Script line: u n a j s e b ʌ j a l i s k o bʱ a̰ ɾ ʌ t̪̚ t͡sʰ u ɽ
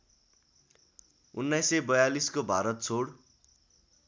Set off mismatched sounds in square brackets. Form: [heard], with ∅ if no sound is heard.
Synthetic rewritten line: u [nː] a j s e b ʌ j a l i s k o bʱ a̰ ɾ ʌ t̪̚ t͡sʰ [o] ɽ